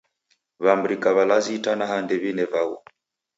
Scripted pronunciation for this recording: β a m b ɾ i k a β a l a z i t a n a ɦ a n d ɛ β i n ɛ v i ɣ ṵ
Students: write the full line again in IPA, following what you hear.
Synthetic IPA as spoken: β a m b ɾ i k a β a l a z i t a n a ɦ a n d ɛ β i n ɛ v a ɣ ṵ

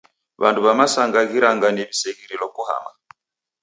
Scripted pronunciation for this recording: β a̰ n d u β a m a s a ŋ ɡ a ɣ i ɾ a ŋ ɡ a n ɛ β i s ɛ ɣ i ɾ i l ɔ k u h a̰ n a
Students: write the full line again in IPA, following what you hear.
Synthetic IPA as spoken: β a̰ n d u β a m a s a ŋ ɡ a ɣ i ɾ a ŋ ɡ a n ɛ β i s ɛ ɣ i ɾ i l ɔ k u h a̰ m a

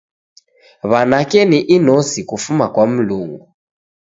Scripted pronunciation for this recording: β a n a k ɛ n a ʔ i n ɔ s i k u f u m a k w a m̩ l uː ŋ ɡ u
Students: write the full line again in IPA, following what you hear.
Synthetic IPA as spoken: β a n a k ɛ n i ʔ i n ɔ s i k u f u m a k w a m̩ l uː ŋ ɡ u

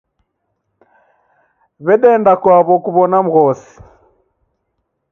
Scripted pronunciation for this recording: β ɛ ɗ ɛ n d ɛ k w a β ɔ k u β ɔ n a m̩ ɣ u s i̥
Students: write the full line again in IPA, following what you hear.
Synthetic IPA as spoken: β ɛ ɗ ɛ n d a k w a β ɔ k u β ɔ n a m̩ ɣ ɔ s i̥

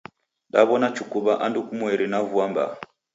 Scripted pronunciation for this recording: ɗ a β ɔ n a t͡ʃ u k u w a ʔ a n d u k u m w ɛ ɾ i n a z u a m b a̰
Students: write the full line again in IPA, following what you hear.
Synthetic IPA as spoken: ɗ a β ɔ n a t͡ʃ u k u β a ʔ a n d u k u m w ɛ ɾ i n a v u a m b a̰

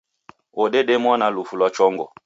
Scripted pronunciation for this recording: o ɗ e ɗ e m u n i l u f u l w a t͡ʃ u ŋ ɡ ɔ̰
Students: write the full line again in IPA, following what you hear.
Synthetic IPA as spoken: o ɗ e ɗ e m ɔ n a l u f u l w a t͡ʃ ɔ ŋ ɡ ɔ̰

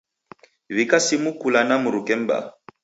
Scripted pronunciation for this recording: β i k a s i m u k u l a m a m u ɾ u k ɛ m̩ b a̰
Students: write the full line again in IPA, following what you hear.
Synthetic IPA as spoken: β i k a s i m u k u l a n a m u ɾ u k ɛ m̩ b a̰

